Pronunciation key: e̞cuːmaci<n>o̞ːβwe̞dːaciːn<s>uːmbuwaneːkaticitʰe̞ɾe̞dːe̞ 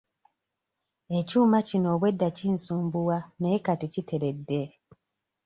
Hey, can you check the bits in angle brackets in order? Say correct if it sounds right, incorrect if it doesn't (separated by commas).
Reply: correct, correct